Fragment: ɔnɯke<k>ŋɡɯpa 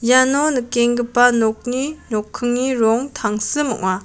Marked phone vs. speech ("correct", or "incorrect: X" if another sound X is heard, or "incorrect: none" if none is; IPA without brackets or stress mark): incorrect: none